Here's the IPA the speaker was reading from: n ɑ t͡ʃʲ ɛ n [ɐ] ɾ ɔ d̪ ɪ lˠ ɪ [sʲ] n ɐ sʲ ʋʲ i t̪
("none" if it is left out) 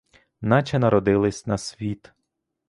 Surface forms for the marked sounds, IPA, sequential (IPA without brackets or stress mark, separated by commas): ɐ, sʲ